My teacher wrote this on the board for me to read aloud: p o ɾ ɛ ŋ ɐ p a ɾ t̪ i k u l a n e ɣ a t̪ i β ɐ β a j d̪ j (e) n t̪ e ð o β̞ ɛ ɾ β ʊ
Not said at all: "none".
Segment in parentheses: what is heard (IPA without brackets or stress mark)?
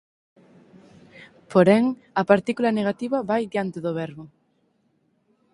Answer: a